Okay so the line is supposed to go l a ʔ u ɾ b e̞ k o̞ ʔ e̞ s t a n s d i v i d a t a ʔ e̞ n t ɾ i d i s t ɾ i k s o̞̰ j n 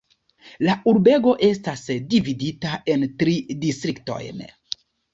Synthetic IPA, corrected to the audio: l a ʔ u ɾ b e̞ ɡ o̞ ʔ e̞ s t a s d i v i d i t a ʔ e̞ n t ɾ i d i s t ɾ i k t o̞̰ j n